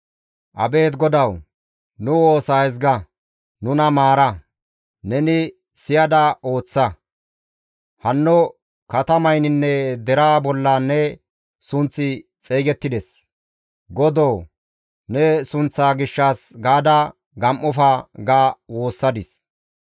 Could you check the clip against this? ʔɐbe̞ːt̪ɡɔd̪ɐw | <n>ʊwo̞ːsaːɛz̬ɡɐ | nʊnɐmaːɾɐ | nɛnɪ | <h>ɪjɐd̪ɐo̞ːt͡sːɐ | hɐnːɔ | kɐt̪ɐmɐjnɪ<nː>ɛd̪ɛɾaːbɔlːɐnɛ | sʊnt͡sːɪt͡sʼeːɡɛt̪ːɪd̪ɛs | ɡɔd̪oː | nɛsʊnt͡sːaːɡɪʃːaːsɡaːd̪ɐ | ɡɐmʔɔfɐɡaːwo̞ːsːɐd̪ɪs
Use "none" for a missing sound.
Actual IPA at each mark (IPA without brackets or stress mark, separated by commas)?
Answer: n, s, nː